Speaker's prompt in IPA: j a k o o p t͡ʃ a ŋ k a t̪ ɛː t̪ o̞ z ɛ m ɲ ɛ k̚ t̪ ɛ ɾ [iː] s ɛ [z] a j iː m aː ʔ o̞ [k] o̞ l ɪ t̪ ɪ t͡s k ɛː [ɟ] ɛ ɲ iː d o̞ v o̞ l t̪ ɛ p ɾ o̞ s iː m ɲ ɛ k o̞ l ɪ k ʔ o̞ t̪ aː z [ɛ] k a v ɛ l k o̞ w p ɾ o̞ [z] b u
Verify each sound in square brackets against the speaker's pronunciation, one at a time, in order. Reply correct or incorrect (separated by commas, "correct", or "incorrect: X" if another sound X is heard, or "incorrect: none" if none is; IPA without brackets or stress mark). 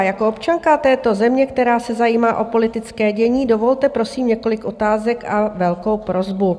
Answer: incorrect: aː, correct, incorrect: p, correct, correct, correct